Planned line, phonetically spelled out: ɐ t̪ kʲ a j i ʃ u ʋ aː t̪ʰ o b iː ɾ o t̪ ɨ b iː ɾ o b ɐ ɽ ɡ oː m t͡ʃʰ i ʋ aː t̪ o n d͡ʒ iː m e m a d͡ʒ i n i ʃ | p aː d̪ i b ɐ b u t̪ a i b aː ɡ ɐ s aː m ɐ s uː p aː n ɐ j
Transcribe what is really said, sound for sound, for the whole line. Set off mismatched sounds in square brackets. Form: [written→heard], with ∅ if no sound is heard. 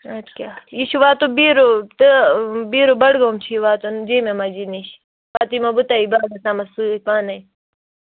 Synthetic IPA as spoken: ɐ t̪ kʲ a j i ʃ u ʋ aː [t̪ʰ→t̪] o b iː ɾ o t̪ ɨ b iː ɾ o b ɐ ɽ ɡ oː m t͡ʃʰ i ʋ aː t̪ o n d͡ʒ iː m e m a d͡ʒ i n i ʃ | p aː [d̪→t̪] i [b→m] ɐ b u t̪ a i b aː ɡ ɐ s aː m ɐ s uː p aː n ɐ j